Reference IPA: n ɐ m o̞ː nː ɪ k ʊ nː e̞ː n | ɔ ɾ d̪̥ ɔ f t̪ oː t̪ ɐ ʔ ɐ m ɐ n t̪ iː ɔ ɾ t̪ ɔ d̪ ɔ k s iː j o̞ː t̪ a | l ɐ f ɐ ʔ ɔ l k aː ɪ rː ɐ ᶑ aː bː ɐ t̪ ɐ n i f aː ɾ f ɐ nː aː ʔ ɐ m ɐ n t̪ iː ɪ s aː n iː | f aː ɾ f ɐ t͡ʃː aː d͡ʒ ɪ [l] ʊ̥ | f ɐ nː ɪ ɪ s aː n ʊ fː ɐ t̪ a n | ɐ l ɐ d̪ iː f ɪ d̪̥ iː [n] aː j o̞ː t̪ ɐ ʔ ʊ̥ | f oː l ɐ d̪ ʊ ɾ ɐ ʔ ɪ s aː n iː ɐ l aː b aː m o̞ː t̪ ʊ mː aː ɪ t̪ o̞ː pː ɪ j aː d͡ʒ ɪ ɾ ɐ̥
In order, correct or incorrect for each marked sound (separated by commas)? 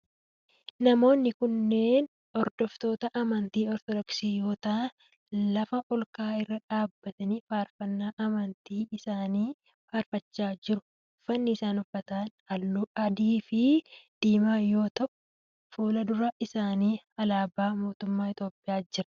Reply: incorrect, incorrect